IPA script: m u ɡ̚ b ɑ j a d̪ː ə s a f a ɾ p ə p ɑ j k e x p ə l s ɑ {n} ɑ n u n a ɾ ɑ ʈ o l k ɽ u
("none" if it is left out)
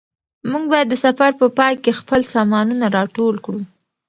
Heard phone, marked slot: m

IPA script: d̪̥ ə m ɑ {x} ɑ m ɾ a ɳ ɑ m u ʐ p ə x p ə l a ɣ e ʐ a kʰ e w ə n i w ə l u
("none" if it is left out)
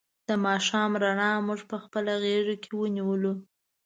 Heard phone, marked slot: ʃ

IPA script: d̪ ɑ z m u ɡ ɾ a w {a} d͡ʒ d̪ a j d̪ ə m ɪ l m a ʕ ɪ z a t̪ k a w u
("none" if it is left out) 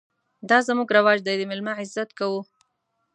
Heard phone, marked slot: ɑ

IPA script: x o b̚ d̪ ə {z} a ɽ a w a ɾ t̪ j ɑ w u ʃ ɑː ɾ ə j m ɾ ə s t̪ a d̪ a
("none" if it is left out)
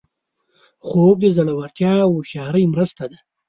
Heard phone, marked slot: z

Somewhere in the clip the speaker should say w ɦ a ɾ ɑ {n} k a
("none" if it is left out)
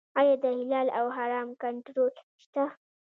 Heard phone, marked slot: m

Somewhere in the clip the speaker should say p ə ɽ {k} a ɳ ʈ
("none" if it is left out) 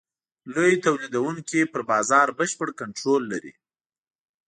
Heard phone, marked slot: k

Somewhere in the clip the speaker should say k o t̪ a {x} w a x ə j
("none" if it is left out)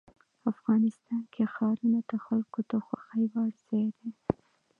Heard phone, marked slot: x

